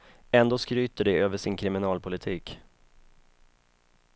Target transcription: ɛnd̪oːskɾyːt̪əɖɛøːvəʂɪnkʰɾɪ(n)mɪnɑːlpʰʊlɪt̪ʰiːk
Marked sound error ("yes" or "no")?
yes